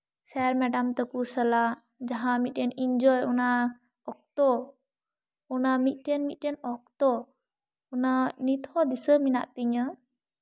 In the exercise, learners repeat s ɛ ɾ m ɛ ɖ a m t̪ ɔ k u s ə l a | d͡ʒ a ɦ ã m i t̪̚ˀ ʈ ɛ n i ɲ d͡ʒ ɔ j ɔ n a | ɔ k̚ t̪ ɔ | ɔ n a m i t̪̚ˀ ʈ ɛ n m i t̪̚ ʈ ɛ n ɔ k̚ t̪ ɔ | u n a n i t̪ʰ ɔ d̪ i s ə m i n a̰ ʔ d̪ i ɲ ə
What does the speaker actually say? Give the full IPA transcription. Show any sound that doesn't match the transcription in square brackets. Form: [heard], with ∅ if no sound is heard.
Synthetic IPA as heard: s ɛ ɾ m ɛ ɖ a m t̪ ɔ k u s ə l a | d͡ʒ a ɦ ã m i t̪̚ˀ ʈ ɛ n i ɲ d͡ʒ ɔ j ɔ n a | ɔ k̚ t̪ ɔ | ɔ n a m i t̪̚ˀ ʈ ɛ n m i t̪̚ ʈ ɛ n ɔ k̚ t̪ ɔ | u n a n i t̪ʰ ɔ d̪ i s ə m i n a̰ ʔ [t̪] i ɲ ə